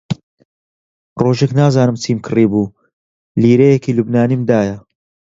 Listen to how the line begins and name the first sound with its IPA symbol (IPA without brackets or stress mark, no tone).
r